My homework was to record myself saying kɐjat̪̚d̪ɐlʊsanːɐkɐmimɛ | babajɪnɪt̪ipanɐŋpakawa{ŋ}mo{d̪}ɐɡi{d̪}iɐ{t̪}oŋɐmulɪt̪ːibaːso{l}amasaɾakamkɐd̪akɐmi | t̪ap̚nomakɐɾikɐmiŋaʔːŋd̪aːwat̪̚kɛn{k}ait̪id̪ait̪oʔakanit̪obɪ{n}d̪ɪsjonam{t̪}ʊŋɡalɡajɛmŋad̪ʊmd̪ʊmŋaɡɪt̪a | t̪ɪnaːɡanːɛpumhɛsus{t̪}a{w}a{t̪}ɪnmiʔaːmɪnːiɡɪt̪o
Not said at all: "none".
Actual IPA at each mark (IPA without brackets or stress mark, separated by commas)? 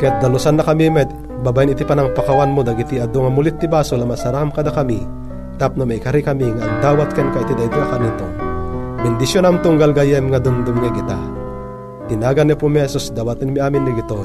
n, d̪, t̪, d̪, l, k, n, t̪, d̪, w, t̪